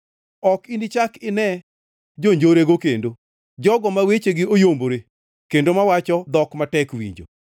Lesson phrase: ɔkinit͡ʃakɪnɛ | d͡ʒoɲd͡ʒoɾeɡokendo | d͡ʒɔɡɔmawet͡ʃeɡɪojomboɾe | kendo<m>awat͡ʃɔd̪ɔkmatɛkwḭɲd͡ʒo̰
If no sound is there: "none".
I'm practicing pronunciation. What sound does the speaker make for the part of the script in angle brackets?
m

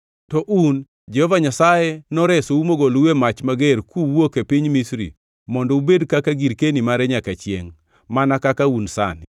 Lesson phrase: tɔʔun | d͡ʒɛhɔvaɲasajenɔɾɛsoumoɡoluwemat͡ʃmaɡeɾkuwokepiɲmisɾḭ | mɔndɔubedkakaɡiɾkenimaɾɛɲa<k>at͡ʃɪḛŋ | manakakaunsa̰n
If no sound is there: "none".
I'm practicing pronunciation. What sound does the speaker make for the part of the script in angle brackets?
k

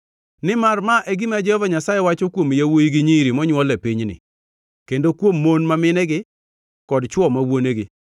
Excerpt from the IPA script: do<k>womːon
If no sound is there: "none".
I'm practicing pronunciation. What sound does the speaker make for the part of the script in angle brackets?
k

